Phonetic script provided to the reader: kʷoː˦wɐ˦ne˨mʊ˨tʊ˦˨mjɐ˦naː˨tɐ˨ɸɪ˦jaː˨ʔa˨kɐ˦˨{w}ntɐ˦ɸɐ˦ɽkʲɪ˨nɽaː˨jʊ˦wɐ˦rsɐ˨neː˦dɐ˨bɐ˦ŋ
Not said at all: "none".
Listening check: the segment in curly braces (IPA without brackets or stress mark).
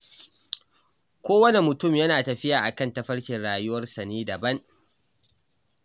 none